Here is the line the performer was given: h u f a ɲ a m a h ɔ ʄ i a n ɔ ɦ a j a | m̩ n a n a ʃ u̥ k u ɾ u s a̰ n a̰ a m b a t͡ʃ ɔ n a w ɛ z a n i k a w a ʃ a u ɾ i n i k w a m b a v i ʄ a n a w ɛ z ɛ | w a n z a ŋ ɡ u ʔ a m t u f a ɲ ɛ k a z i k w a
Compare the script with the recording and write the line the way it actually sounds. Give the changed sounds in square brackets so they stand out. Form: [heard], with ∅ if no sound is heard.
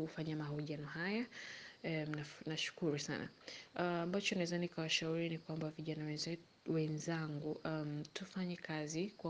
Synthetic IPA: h u f a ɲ a m a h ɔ ʄ i a n ɔ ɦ a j a | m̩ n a n a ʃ u̥ k u ɾ u s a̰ n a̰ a m b a t͡ʃ ɔ n a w ɛ z a n i k a w a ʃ a u ɾ i n i k w a m b a v i ʄ a n a w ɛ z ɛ | w [ɛ] n z a ŋ ɡ u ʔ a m t u f a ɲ ɛ k a z i k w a